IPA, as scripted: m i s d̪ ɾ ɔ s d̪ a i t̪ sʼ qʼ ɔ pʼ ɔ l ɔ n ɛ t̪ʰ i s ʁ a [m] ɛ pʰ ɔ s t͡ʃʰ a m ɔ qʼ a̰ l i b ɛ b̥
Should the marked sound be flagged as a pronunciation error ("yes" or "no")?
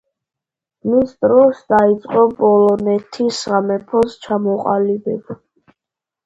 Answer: no